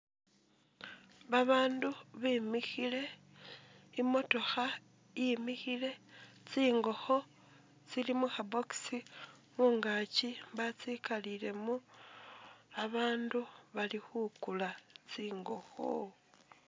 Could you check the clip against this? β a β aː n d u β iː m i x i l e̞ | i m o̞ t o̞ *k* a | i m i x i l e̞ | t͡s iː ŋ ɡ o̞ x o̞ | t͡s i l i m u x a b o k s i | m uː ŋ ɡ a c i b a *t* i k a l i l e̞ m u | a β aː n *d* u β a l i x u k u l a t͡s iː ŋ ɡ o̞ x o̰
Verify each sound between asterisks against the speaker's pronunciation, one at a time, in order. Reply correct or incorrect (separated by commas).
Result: incorrect, incorrect, correct